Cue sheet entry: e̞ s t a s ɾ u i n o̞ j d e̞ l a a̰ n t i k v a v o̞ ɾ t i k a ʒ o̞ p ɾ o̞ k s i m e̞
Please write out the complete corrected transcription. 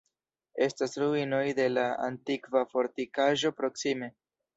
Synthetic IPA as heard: e̞ s t a s ɾ u i n o̞ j d e̞ l a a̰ n t i k v a f o̞ ɾ t i k a ʒ o̞ p ɾ o̞ k s i m e̞